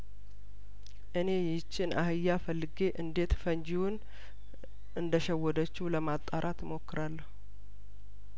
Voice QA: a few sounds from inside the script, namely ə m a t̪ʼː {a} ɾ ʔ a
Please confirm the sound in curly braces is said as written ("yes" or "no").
yes